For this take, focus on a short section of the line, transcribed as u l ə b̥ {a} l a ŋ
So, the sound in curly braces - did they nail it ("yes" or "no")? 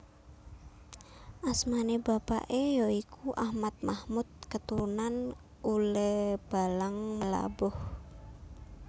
yes